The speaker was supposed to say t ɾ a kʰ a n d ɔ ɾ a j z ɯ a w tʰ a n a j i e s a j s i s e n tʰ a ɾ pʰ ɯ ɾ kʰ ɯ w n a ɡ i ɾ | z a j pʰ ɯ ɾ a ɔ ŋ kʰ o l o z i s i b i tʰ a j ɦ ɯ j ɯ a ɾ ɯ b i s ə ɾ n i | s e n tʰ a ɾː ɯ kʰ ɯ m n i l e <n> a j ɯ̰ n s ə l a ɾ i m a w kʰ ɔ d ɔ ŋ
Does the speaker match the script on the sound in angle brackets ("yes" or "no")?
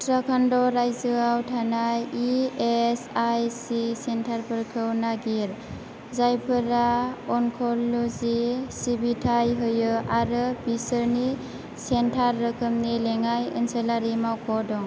no